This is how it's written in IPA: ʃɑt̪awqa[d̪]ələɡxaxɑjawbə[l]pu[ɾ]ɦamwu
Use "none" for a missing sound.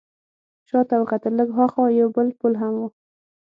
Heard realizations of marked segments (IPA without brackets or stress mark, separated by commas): t̪, l, l